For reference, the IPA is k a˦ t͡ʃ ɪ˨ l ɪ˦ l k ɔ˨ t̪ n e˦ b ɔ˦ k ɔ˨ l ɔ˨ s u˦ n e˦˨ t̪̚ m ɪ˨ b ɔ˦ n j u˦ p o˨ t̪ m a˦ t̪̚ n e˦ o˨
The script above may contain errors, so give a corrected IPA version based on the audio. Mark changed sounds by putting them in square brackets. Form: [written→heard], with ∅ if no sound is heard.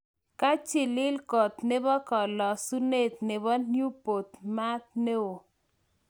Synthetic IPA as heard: k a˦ t͡ʃ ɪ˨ l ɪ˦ l k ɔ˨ t̪ n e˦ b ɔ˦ k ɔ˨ l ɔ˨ s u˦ n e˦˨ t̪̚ [m→n] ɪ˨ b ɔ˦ n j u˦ p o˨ t̪ m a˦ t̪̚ n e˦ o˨